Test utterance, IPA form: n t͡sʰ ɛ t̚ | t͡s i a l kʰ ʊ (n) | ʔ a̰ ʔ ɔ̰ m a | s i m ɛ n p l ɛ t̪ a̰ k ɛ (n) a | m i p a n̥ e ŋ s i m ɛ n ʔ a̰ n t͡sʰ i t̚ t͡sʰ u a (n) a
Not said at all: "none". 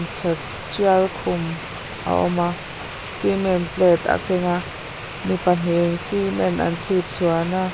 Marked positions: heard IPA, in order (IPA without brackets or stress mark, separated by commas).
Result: m, ŋ, n